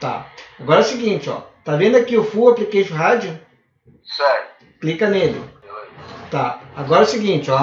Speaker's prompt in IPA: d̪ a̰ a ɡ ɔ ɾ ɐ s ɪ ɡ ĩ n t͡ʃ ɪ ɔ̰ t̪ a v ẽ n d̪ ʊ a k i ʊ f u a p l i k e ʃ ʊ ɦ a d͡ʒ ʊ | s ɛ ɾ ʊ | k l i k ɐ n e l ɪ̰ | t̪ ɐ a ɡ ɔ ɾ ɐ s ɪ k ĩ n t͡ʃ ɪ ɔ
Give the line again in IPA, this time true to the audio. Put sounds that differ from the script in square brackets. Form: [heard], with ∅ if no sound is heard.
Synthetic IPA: [t̪] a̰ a ɡ ɔ ɾ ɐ s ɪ ɡ ĩ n t͡ʃ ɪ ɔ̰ t̪ a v ẽ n d̪ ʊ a k i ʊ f u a p l i k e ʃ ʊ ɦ a d͡ʒ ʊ | s ɛ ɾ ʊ | k l i k ɐ n e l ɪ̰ | t̪ [a] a ɡ ɔ ɾ ɐ s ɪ [ɡ] ĩ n t͡ʃ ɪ ɔ